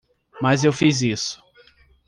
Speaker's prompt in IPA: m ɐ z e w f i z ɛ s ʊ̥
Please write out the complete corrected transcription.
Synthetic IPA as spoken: m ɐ z e w f i z i s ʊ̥